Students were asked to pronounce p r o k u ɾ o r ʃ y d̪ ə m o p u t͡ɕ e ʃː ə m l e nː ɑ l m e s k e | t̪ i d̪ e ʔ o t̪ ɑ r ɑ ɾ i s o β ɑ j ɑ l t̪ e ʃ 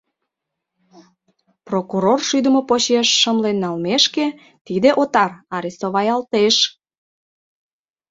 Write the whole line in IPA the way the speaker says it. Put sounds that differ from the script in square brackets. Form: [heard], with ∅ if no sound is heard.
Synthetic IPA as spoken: p r o k u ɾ o r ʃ y d̪ ə m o p [o] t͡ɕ e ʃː ə m l e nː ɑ l m e [ʃ] k e | t̪ i d̪ e ʔ o t̪ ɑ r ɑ ɾ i s o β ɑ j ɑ l t̪ e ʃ

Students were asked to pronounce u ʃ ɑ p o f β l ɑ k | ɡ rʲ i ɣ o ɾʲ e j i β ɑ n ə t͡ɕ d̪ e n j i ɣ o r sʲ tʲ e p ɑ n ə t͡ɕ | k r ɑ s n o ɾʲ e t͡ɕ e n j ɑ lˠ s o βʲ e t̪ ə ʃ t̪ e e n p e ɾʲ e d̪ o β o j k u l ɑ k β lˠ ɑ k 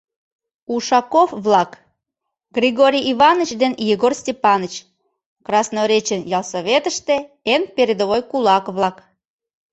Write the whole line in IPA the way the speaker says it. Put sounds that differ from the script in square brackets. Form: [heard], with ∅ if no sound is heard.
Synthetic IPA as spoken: u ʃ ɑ [k] o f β l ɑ k | ɡ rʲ i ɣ o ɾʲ [i] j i β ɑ n ə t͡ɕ d̪ e n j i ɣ o r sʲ tʲ e p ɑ n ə t͡ɕ | k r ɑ s n o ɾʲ e t͡ɕ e n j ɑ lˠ s o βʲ e t̪ ə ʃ t̪ e e n p e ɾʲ e d̪ o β o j k u l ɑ k β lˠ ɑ k

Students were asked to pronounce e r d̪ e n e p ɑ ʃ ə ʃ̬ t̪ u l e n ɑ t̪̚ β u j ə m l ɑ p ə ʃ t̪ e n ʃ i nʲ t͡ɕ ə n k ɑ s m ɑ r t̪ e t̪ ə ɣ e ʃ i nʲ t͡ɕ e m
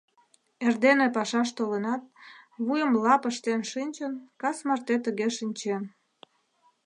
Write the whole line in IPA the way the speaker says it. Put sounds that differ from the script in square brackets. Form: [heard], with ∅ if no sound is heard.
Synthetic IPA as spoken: e r d̪ e n e p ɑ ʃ [ɑ] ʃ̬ t̪ [o] l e n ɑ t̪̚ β u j ə m l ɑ p ə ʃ t̪ e n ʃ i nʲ t͡ɕ ə n k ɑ s m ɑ r t̪ e t̪ ə ɣ e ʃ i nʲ t͡ɕ e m

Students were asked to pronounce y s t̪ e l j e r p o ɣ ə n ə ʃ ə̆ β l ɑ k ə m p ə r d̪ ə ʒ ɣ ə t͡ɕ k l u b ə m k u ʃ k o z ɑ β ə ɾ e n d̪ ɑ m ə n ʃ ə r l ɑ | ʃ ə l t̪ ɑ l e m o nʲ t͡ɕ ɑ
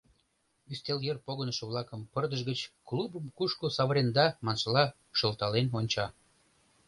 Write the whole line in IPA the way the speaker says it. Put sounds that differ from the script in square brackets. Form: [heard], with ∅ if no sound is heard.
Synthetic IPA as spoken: y s t̪ e l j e r p o ɣ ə n ə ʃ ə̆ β l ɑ k ə m p ə r d̪ ə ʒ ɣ ə t͡ɕ k l u b ə m k u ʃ k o [s] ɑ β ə ɾ e n d̪ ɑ m [ɑ] n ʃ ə [∅] l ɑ | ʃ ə l t̪ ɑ l e [n] o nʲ t͡ɕ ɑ

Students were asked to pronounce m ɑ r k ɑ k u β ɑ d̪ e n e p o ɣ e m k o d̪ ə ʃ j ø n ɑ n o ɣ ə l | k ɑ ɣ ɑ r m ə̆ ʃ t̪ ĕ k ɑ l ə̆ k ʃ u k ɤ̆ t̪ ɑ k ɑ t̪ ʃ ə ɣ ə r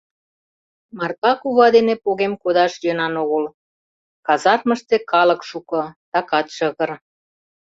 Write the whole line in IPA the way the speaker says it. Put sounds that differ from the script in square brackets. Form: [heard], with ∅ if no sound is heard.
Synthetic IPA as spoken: m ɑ r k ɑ k u β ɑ d̪ e n e p o ɣ e m k o d̪ [ɑ] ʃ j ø n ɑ n o ɣ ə l | k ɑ [z] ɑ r m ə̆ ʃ t̪ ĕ k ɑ l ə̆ k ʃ u k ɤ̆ t̪ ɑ k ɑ t̪ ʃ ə ɣ ə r

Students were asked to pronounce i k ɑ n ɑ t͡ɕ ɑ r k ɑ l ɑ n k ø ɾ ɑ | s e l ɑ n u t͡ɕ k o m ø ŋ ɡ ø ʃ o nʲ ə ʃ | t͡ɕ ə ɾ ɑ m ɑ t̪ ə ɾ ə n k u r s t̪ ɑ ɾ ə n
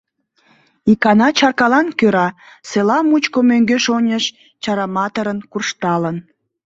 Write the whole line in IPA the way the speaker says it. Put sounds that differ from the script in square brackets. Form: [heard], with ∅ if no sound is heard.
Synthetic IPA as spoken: i k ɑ n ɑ t͡ɕ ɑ r k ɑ l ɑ n k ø ɾ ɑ | s e l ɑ [m] u t͡ɕ k o m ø ŋ ɡ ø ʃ o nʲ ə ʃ | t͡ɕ [ɑ] ɾ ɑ m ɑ t̪ ə ɾ ə n k u r [ʃ] t̪ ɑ [l] ə n

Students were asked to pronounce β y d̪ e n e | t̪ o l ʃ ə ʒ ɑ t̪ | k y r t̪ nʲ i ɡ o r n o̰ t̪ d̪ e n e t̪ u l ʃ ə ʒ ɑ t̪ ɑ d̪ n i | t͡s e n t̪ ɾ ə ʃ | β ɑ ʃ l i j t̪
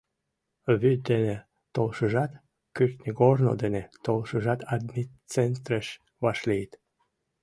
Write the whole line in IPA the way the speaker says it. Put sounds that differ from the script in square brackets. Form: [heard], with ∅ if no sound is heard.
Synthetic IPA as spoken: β y d̪ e n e | t̪ o l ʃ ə ʒ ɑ t̪ | k y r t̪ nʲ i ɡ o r n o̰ [∅] d̪ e n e t̪ [o] l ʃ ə ʒ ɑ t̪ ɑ d̪ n i | t͡s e n t̪ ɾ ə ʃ | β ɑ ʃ l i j t̪

